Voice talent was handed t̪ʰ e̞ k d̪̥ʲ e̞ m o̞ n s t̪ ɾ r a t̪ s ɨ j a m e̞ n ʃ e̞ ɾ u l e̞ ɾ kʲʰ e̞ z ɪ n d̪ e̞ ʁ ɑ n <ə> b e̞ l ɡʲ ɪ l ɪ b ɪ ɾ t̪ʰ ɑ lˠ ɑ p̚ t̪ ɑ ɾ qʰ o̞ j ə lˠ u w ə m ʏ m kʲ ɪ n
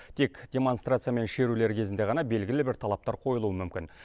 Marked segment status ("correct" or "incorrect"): incorrect